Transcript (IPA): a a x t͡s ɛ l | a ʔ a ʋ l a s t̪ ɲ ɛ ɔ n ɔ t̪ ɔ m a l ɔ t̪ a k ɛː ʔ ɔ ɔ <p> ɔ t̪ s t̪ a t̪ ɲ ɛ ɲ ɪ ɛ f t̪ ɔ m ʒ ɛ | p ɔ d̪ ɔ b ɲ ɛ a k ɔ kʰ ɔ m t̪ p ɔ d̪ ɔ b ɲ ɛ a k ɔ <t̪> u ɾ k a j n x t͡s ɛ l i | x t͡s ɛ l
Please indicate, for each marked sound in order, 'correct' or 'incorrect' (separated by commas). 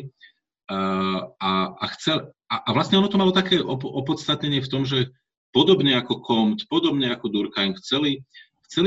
correct, incorrect